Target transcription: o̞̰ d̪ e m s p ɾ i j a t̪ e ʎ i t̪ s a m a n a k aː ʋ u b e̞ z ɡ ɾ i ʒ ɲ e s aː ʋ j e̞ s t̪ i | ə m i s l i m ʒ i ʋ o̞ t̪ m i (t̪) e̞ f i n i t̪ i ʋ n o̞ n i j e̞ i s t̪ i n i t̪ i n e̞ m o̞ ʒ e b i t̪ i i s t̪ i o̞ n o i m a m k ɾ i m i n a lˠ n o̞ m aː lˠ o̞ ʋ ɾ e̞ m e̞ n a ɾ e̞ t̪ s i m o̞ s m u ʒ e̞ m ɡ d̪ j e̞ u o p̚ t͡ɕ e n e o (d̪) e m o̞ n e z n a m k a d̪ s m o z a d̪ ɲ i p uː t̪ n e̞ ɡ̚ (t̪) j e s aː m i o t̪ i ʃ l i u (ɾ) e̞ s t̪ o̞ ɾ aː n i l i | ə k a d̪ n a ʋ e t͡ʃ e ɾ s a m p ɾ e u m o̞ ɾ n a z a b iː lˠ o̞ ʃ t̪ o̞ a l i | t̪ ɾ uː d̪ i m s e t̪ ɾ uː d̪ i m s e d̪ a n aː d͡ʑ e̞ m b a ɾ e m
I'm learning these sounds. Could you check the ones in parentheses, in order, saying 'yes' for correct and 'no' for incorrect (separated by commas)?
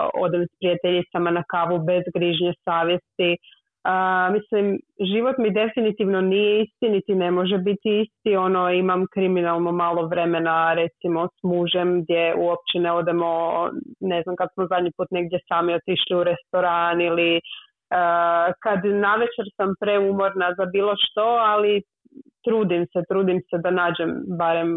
no, yes, no, yes